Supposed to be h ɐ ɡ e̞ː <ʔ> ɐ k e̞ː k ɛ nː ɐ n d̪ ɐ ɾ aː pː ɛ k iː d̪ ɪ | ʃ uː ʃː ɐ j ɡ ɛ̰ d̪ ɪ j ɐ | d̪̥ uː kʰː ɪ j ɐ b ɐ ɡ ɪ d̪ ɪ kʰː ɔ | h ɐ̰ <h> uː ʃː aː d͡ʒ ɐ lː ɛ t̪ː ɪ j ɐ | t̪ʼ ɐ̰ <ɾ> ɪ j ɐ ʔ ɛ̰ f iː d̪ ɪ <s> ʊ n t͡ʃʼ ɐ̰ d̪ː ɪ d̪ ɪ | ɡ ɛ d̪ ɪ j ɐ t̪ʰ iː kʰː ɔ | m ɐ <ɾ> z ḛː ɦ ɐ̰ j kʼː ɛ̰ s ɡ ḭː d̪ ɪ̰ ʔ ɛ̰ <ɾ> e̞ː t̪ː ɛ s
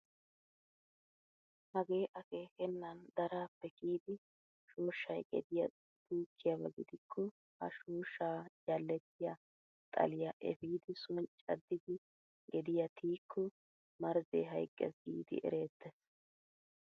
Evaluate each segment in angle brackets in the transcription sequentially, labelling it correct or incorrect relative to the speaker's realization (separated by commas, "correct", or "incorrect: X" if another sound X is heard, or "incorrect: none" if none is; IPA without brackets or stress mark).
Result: correct, incorrect: ʃ, incorrect: l, correct, correct, correct